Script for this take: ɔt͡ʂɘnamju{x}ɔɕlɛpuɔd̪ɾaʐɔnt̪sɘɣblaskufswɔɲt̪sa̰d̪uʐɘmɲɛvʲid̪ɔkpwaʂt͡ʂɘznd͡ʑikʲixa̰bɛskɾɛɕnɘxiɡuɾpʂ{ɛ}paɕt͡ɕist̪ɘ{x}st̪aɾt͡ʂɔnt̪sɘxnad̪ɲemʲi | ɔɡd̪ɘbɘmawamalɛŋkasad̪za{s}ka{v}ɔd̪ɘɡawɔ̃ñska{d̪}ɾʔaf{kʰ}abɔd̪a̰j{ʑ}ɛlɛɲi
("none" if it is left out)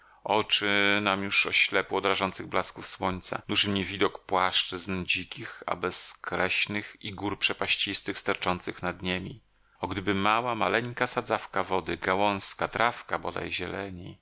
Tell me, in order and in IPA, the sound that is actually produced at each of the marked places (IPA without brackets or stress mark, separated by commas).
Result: ʂ, ɛ, x, f, v, t̪, k, ʑ